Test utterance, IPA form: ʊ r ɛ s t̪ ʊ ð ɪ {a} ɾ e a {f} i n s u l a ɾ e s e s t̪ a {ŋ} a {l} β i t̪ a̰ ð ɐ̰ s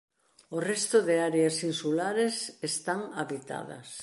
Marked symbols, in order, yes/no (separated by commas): yes, no, yes, no